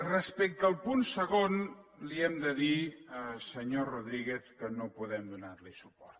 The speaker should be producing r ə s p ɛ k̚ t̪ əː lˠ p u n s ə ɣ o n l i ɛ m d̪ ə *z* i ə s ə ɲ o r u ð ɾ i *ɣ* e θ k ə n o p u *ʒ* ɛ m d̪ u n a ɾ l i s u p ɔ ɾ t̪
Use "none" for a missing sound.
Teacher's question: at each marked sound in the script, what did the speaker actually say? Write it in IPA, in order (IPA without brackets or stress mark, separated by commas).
ð, ɣ, ð